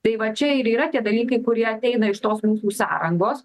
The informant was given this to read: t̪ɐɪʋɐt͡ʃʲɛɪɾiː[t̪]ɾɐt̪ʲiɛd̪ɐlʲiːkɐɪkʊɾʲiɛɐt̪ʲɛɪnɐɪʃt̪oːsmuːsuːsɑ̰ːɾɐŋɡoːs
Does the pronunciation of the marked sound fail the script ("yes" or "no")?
yes